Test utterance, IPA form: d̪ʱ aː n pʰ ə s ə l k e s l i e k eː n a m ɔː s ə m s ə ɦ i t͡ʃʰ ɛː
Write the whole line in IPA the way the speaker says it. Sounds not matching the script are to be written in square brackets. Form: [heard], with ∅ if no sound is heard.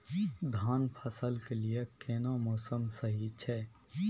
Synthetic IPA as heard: d̪ʱ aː n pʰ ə s ə l k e [∅] l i e k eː n a m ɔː s ə m s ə ɦ i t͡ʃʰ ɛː

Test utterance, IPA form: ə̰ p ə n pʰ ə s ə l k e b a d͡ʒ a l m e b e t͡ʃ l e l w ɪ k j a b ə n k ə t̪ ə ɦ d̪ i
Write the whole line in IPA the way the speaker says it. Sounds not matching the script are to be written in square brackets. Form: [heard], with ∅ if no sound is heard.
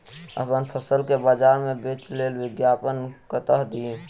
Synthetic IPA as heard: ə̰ p ə n pʰ ə s ə l k e b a d͡ʒ a [ɾ] m e b e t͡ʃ l e l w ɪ [ɡ] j a [p] ə n k ə t̪ ə ɦ d̪ i

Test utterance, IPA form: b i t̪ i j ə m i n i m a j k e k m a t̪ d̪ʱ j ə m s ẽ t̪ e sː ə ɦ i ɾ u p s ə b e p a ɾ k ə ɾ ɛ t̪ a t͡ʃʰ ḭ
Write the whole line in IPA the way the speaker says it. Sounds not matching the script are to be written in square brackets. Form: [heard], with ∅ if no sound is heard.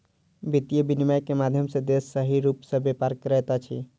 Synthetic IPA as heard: b i t̪ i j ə [b] i n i m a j k e [∅] m a [∅] d̪ʱ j ə m s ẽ [d̪] e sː ə ɦ i ɾ u p s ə b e p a ɾ k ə ɾ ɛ t̪ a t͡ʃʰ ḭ

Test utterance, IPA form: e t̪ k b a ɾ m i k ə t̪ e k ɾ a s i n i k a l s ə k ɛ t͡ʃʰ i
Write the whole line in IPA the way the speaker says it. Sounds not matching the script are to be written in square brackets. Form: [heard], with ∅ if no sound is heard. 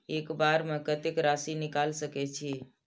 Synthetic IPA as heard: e [∅] k b a ɾ m [e] k ə t̪ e k ɾ a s i n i k a l s ə k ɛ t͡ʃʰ i

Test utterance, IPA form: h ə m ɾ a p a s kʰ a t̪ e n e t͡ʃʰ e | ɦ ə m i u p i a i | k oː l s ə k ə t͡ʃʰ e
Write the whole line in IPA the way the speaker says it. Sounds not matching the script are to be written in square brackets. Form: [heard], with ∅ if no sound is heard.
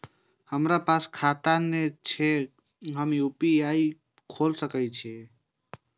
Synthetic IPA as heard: h ə m ɾ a p a s kʰ a t̪ [a] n e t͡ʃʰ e | ɦ ə m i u p i a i | [kʰ] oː l s ə k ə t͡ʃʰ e

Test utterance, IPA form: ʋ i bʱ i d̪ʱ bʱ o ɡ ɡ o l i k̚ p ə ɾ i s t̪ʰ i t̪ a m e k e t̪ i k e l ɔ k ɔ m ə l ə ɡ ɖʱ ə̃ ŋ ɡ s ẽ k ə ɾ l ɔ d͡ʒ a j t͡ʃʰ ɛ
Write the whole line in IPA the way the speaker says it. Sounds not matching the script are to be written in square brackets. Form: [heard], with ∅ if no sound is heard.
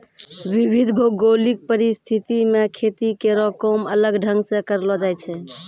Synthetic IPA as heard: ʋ i bʱ i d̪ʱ bʱ o ɡ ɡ o l i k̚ p ə ɾ i s t̪ʰ i t̪ [i] m e [kʰ] e t̪ i k e [ɾ] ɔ k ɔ m ə l ə ɡ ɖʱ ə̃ ŋ ɡ s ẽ k ə ɾ l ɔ d͡ʒ a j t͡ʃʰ ɛ

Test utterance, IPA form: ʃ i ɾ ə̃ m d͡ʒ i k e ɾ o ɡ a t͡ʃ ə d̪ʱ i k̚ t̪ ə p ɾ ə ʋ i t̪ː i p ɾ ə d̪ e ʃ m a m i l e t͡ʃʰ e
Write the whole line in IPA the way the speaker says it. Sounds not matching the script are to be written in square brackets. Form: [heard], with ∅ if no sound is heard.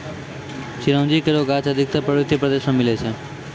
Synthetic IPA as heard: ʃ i ɾ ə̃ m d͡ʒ i k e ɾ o ɡ a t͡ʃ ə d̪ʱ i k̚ t̪ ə p ɾ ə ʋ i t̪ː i p ɾ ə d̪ e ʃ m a m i l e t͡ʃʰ e

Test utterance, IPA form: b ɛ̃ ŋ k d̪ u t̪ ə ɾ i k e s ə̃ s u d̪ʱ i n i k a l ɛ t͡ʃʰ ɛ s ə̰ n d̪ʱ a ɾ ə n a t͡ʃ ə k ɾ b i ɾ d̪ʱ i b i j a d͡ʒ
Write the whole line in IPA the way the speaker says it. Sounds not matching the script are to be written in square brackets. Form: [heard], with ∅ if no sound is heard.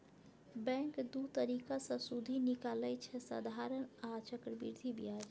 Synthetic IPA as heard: b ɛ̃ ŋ k d̪ u t̪ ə ɾ i k [a] s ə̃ s u d̪ʱ i n i k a l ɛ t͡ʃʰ ɛ s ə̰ [∅] d̪ʱ a ɾ ə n a t͡ʃ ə k ɾ b i ɾ d̪ʱ i b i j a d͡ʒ

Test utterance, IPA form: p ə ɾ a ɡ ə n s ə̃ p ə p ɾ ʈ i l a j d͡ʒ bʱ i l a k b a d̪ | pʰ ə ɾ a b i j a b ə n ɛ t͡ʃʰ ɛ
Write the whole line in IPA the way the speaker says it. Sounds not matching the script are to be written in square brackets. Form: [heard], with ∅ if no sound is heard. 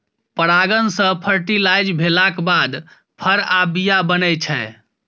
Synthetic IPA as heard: p ə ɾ a ɡ ə n s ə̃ [pʰ] ə [∅] ɾ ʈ i l a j d͡ʒ bʱ [e] l a k b a d̪ | pʰ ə ɾ a b i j a b ə n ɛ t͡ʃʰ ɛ

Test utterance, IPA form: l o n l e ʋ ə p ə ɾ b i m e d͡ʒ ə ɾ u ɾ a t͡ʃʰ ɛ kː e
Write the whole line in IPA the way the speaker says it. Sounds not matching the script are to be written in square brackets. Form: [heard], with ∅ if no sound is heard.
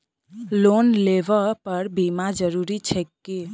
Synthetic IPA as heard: l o n l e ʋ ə p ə ɾ b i m [a] d͡ʒ ə ɾ u ɾ [i] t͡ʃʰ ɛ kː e

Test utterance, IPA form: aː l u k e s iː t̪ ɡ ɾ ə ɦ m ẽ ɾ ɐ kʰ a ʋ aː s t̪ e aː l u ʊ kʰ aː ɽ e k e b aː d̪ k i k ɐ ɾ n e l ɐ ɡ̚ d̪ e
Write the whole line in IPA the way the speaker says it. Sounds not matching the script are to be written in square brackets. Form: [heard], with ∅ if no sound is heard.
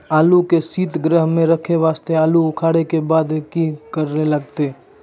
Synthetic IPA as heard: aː l u k e s iː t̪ ɡ ɾ ə ɦ m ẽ ɾ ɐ kʰ [e] ʋ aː s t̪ e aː l u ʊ kʰ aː ɽ e k e b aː d̪ k i k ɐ ɾ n e l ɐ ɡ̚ [t̪] e

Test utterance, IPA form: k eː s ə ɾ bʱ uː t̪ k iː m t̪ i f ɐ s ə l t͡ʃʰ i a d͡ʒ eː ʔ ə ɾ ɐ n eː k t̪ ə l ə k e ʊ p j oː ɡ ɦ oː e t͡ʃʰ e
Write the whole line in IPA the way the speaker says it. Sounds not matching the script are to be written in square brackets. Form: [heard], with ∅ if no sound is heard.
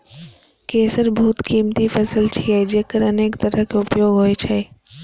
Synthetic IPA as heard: k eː s ə ɾ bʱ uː t̪ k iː m t̪ i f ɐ s ə l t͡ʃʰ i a d͡ʒ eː [k] ə ɾ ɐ n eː k t̪ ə [ɾ] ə k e ʊ p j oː ɡ ɦ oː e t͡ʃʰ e

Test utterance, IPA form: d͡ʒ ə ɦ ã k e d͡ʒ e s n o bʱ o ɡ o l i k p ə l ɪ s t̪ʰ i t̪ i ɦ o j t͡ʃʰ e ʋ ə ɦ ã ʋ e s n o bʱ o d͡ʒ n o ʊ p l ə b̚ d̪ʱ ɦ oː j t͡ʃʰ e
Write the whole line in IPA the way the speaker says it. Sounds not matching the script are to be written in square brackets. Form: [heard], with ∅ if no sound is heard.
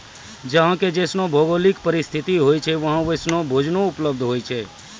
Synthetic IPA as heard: d͡ʒ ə ɦ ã k e d͡ʒ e s n o bʱ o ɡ o l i k p ə [ɾ] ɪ s t̪ʰ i t̪ i ɦ o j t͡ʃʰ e ʋ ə ɦ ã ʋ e s n o bʱ o d͡ʒ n o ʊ p l ə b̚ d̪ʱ ɦ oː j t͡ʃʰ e

